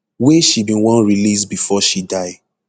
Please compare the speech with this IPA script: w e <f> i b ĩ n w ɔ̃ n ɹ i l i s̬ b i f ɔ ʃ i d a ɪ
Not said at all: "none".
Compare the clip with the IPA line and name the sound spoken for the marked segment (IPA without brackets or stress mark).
ʃ